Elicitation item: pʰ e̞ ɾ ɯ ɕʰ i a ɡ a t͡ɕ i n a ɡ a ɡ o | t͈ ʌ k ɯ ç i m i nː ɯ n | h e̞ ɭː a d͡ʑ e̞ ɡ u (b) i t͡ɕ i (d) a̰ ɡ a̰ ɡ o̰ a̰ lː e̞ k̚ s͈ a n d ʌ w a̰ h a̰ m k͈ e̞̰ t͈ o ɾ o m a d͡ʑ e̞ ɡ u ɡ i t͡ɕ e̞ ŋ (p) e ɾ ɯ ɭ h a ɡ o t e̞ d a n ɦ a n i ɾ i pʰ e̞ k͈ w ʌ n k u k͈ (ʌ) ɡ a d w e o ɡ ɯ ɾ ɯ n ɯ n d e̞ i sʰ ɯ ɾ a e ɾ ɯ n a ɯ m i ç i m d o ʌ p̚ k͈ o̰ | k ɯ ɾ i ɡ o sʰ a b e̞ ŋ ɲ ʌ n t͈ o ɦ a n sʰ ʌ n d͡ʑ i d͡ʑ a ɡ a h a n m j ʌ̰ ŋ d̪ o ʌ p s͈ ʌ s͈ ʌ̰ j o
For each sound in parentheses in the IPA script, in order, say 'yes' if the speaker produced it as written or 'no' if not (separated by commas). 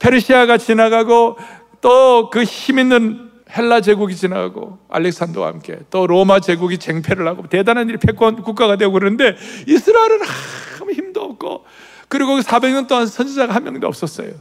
no, no, no, no